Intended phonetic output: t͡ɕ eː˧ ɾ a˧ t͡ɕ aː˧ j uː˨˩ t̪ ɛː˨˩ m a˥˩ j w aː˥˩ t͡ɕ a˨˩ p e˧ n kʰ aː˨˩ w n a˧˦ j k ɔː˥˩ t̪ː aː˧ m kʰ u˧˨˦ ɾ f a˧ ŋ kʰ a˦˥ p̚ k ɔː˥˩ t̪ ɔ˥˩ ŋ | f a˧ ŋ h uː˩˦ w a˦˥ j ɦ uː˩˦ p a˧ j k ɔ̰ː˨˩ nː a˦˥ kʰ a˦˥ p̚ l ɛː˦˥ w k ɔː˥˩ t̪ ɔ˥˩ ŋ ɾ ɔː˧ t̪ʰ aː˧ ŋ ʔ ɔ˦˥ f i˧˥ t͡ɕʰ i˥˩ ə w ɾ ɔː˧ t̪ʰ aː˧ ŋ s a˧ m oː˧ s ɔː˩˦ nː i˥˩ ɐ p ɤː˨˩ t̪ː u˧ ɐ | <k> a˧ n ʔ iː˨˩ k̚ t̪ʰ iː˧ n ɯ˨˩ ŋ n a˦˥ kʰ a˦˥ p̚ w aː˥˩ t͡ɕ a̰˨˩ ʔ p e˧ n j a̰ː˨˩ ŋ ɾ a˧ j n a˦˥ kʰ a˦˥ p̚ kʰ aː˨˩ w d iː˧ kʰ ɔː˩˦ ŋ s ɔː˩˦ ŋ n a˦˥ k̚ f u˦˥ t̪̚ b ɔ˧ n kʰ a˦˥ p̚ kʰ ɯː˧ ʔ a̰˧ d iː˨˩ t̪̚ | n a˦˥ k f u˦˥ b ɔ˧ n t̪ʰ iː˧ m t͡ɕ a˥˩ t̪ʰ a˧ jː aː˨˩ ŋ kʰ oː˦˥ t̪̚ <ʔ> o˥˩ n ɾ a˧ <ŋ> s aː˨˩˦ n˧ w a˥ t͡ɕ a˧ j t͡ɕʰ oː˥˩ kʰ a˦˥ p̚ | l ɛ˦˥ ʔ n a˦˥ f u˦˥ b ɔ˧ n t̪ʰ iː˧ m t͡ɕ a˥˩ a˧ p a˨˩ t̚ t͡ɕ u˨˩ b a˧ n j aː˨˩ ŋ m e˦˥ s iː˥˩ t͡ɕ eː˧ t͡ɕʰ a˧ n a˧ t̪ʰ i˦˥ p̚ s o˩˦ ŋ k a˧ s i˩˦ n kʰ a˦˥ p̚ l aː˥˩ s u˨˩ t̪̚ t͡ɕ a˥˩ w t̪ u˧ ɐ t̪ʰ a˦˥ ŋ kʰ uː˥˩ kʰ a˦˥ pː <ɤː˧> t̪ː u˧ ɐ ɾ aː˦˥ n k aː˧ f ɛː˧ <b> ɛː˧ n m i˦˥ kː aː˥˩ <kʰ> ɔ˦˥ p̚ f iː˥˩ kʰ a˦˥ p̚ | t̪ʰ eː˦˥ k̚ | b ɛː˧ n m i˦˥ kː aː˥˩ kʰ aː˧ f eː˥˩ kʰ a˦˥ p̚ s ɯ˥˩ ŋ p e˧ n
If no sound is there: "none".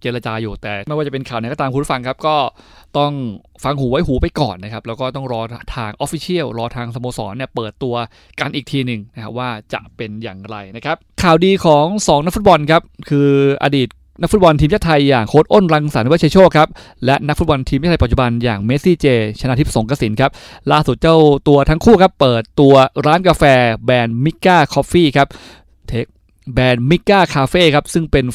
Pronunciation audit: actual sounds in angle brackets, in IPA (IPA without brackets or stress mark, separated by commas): k, ʔ, ŋ, ɤː˨˩, b, kʰ